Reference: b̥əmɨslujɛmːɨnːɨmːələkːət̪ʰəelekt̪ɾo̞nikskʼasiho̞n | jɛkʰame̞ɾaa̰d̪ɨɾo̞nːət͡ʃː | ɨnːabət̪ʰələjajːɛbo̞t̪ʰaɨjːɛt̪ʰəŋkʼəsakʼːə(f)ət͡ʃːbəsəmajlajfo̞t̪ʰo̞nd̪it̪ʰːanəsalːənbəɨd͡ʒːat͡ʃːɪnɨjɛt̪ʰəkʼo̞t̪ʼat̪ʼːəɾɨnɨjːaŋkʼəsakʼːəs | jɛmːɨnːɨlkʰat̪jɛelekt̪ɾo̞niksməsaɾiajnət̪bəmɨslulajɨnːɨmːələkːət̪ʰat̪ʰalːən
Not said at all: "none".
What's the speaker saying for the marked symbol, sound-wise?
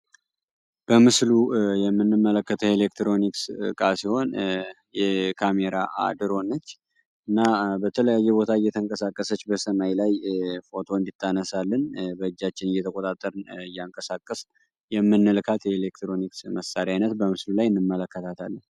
s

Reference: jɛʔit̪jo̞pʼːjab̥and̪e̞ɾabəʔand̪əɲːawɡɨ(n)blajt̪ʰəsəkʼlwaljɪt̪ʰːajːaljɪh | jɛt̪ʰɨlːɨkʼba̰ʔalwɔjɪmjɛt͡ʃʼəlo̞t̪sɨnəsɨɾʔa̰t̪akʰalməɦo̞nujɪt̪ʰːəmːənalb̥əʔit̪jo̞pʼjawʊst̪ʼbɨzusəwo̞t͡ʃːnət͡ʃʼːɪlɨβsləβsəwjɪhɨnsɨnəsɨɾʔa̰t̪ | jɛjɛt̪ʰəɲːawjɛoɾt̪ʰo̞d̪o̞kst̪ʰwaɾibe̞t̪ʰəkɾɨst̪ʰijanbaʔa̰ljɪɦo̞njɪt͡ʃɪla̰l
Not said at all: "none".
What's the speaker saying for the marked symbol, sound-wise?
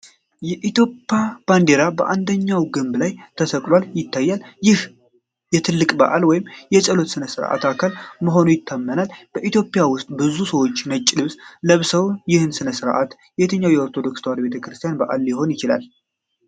m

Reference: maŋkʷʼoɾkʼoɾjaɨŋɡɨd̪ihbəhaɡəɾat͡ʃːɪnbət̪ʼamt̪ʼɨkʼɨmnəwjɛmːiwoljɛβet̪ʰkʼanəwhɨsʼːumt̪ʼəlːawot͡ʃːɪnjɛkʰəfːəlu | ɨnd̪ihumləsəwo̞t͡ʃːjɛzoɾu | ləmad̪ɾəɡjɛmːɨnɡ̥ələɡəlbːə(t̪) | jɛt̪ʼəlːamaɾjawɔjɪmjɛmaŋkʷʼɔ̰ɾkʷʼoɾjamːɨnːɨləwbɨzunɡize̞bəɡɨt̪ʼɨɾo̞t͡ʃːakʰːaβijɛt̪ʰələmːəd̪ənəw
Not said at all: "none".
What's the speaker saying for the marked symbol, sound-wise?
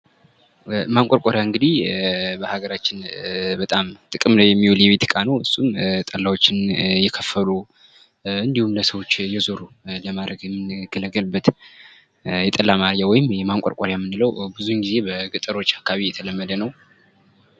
t̪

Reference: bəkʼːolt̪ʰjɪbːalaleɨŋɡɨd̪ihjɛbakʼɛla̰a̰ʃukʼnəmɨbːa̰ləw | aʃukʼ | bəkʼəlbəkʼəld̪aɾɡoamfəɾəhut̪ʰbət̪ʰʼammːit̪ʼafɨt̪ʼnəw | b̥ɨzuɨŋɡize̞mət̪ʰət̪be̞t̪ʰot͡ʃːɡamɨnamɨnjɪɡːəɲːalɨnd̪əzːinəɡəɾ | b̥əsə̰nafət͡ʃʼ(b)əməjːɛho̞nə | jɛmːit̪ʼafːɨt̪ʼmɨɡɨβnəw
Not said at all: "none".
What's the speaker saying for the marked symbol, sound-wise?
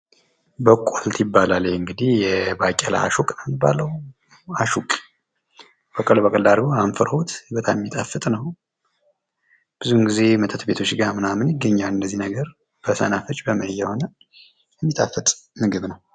b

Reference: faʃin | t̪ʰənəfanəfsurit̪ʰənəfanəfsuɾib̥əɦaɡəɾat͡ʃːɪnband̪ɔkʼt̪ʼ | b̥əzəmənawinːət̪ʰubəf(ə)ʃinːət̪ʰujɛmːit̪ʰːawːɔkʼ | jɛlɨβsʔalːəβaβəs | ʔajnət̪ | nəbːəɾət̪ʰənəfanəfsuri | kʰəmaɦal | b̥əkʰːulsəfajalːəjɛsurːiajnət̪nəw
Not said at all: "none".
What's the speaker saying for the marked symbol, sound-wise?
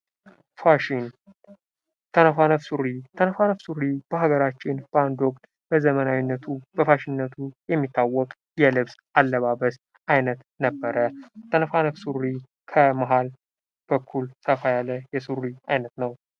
a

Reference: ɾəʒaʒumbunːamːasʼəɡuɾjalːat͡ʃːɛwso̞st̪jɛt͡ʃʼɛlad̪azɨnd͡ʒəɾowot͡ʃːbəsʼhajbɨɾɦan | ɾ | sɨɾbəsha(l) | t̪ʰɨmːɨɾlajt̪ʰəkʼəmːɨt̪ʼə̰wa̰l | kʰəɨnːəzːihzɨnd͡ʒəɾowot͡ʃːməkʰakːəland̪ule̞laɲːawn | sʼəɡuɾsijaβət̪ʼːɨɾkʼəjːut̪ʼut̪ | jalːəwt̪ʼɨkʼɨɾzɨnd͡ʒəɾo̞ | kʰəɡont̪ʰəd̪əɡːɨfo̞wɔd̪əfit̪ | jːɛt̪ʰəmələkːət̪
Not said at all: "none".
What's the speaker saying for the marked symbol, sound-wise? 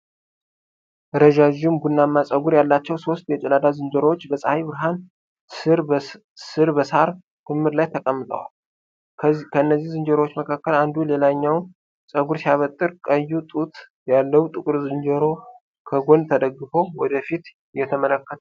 ɾ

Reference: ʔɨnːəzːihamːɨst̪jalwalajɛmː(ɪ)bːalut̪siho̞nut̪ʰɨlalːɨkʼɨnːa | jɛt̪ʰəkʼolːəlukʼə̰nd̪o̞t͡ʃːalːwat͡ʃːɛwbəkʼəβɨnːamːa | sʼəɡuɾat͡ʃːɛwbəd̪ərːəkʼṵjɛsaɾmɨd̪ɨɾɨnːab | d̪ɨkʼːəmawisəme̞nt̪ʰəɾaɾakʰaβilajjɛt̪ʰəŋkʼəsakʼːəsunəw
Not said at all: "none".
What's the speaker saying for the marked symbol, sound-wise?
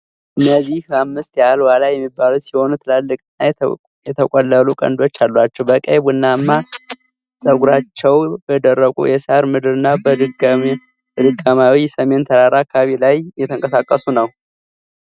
i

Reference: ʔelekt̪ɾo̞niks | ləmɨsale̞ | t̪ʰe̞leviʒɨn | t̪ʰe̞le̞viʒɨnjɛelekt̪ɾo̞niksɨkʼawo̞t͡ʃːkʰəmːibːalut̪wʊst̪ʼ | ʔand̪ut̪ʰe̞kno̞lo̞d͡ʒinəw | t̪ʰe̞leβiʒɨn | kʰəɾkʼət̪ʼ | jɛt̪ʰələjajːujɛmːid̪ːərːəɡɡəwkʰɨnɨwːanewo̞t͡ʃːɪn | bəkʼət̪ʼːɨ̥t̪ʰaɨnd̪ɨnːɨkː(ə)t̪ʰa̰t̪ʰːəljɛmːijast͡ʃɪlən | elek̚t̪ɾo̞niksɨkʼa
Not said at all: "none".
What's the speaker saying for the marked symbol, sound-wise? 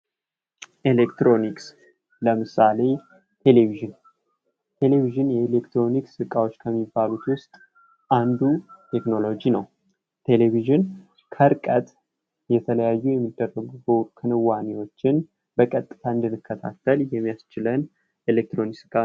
ə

